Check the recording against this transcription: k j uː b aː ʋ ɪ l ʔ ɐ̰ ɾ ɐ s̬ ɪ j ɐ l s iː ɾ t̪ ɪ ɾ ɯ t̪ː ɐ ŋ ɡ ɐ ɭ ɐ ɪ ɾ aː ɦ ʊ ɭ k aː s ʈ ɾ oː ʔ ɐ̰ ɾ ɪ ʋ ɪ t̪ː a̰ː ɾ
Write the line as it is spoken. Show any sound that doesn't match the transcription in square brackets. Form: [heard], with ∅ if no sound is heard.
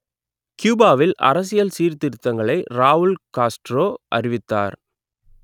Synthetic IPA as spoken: k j uː b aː ʋ ɪ l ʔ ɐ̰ ɾ ɐ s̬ ɪ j ɐ l s iː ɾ t̪ ɪ ɾ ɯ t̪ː ɐ ŋ ɡ ɐ ɭ ɐ ɪ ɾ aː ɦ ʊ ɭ k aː s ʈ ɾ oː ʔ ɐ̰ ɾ ɪ ʋ ɪ t̪ː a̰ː ɾ